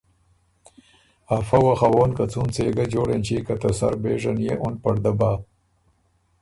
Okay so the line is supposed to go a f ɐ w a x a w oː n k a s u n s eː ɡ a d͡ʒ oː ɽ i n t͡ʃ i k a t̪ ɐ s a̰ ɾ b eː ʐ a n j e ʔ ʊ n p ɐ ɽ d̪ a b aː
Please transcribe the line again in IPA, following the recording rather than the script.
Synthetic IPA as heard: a f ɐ w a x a w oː n k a t͡s u n t͡s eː ɡ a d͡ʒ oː ɽ e n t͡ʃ i k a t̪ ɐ s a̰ ɾ b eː ʐ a n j e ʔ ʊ n p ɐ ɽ d̪ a b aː